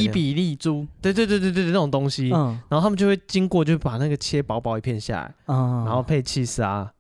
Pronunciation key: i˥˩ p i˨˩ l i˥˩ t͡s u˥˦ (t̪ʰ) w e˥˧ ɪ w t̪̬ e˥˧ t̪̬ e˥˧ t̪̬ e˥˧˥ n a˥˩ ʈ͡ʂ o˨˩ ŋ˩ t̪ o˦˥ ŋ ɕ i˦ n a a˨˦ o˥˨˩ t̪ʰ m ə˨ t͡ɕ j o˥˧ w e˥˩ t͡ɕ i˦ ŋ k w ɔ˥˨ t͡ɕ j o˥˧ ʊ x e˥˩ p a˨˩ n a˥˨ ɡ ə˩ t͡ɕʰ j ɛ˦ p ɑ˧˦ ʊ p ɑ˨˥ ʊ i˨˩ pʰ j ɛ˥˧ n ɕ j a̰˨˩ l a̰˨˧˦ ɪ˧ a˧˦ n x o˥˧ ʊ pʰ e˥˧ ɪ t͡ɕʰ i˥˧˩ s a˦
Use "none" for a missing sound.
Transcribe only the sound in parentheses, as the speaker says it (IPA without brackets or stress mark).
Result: t̪